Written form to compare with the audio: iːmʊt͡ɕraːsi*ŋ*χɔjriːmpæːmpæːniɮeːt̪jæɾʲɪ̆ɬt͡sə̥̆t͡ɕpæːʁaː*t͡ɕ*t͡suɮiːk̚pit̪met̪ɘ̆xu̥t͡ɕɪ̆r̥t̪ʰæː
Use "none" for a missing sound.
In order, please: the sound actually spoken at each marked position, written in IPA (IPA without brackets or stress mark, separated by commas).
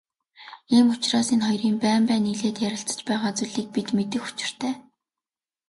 n, none